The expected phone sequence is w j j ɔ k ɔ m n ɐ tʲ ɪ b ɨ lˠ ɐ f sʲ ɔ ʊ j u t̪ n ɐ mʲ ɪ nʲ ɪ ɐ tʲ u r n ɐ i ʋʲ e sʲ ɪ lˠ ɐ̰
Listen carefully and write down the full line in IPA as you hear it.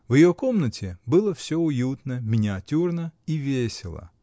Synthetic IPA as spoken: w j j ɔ k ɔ m n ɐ tʲ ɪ b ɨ lˠ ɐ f sʲ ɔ ʊ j u t̪ n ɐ mʲ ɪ nʲ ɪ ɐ tʲ u r n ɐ i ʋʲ e sʲ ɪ lˠ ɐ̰